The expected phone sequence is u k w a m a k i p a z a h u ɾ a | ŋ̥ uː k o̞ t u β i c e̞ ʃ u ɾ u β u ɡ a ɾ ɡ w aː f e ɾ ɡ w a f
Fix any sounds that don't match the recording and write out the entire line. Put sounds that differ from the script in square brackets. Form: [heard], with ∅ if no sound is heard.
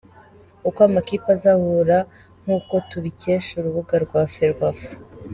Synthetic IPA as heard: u k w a m a k i p a z a h u ɾ a | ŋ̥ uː k o̞ t u β i c e̞ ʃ u ɾ u β u ɡ a ɾ ɡ w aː f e ɾ ɡ w a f